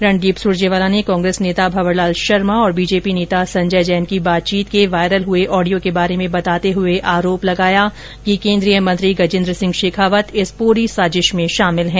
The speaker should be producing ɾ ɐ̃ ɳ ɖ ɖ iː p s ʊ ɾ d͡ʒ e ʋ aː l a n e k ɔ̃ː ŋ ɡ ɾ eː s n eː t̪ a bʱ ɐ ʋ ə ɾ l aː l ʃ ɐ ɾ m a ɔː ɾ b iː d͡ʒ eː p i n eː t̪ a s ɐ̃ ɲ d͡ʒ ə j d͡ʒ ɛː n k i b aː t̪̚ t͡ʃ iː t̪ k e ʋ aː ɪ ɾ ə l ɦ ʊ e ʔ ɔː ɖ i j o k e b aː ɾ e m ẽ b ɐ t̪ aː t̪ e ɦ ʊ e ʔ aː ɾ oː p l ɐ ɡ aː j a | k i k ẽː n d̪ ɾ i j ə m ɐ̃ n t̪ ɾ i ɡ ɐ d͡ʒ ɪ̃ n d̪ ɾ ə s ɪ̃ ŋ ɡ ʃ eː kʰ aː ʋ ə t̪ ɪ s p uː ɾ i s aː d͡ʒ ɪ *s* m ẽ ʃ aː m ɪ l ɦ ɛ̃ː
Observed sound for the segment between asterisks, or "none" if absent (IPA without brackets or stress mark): ʃ